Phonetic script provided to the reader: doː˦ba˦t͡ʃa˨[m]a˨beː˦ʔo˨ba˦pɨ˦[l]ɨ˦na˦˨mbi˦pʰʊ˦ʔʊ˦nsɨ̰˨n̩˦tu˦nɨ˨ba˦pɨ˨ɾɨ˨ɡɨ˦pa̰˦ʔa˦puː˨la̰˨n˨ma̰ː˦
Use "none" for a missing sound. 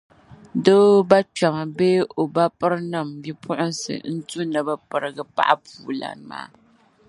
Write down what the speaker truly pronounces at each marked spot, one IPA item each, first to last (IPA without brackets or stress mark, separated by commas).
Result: m, ɾ